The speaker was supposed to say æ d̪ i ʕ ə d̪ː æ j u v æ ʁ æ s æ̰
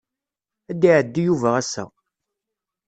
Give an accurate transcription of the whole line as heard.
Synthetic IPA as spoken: æ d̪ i ʕ ə d̪ː i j u v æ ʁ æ s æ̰